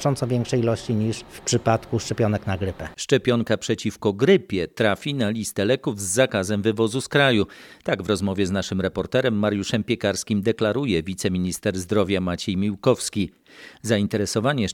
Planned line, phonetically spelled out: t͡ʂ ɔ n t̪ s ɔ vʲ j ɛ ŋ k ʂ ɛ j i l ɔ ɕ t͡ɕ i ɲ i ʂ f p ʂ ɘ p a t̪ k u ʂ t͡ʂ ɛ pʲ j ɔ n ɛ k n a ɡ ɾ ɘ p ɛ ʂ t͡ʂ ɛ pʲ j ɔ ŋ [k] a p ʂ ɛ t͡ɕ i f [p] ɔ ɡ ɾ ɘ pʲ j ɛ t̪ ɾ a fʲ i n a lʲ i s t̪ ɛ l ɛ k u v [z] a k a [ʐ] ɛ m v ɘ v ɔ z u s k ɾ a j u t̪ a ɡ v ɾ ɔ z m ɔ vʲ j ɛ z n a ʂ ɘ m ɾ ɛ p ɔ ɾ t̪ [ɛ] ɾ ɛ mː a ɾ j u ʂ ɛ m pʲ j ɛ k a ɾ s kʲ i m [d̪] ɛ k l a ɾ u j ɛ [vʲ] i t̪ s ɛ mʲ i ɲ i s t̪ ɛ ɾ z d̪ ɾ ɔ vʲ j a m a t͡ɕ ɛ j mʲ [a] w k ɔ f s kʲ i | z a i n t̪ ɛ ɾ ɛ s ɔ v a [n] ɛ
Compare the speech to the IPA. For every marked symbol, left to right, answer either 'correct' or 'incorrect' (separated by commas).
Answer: correct, incorrect, incorrect, incorrect, correct, correct, correct, incorrect, incorrect